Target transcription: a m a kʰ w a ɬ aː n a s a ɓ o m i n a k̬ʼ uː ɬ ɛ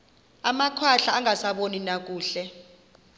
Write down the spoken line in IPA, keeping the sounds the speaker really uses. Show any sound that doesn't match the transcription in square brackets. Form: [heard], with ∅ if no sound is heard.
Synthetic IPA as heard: a m a kʰ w a ɬ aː [ŋ] a s a ɓ o [n] i n a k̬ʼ uː ɬ ɛ